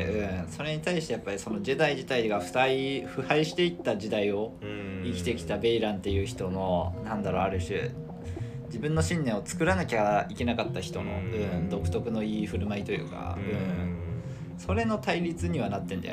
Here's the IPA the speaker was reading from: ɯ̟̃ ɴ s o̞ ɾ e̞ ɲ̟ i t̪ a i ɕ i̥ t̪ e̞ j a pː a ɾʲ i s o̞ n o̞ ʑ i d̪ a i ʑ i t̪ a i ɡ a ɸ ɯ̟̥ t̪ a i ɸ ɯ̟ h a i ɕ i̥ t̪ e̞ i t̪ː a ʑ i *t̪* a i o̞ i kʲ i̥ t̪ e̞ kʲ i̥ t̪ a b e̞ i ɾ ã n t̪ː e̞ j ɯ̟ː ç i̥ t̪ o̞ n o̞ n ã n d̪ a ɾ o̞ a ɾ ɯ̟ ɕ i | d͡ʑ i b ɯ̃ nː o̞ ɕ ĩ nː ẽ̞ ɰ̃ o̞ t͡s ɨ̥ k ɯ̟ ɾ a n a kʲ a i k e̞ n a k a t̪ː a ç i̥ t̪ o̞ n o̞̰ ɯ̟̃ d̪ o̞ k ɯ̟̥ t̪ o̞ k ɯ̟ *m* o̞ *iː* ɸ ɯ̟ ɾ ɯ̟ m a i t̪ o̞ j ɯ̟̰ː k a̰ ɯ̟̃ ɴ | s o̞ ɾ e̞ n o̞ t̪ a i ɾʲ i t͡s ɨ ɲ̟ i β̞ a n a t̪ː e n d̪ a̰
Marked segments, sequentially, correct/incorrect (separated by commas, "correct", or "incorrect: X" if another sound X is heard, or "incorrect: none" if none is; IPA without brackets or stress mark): incorrect: d̪, incorrect: n, correct